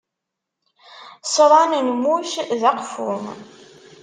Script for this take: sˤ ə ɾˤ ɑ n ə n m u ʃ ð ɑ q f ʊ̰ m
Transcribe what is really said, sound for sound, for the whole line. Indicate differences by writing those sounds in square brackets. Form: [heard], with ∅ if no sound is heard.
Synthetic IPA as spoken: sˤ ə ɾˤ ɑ n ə n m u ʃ ð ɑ q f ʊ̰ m